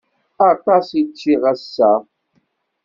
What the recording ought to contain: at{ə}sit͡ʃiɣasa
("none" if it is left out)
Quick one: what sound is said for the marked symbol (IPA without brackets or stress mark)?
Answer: a